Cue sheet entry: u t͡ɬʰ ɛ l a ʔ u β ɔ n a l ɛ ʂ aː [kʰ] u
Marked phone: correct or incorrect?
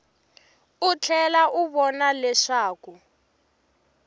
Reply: incorrect